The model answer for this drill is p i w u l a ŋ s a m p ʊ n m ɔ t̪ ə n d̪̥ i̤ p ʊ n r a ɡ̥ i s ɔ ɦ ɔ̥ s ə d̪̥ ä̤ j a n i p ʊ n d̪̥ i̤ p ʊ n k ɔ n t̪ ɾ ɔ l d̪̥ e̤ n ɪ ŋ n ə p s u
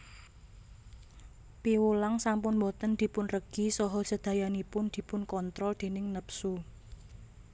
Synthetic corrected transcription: p i w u l a ŋ s a m p ʊ n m ɔ t̪ ə n d̪̥ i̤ p ʊ n r ə ɡ̥ i s ɔ ɦ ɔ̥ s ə d̪̥ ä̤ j a n i p ʊ n d̪̥ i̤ p ʊ n k ɔ n t̪ ɾ ɔ l d̪̥ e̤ n ɪ ŋ n ə p s u